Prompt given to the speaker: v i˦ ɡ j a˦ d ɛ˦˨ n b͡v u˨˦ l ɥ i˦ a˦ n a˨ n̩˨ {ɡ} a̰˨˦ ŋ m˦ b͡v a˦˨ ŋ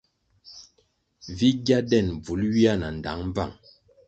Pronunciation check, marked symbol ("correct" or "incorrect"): incorrect